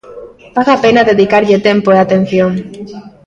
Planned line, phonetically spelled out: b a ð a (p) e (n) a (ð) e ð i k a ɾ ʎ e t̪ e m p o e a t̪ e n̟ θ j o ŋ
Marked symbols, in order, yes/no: yes, yes, yes

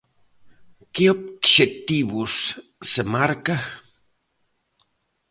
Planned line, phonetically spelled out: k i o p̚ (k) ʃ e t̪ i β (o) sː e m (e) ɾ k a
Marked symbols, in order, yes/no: yes, no, no

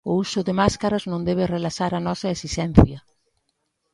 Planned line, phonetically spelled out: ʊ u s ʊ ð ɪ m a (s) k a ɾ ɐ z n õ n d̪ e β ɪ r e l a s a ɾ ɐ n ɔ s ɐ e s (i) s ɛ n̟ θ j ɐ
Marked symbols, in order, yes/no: yes, yes

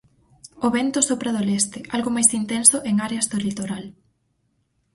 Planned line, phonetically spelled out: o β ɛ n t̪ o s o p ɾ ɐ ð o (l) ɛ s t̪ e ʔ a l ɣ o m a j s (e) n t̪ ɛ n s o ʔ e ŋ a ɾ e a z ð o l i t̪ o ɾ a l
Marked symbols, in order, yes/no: yes, no

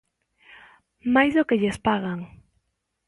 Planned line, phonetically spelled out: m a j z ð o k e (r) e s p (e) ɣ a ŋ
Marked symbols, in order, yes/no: no, no

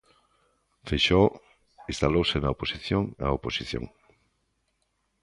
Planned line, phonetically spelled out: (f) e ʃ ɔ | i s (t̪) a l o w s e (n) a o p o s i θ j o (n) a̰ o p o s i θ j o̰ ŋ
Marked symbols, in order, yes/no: yes, yes, yes, no

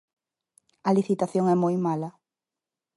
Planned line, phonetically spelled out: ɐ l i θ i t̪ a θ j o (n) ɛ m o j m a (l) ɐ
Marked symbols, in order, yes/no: no, yes

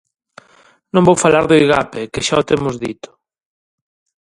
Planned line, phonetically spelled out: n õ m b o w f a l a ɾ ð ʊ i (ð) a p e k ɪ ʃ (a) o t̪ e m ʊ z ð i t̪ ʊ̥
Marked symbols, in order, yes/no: no, yes

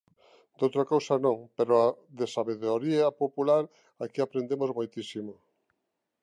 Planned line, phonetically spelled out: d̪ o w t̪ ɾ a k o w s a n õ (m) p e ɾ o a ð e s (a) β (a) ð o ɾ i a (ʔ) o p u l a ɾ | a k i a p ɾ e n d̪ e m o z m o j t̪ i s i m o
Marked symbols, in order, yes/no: no, yes, no, no

